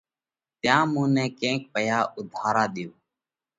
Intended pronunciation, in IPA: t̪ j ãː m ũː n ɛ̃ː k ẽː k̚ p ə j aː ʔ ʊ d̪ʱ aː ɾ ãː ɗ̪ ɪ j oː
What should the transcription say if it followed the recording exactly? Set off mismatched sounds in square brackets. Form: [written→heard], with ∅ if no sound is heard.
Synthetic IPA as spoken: t̪ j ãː m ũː n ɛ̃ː k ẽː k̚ p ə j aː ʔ ʊ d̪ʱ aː ɾ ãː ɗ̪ ɪ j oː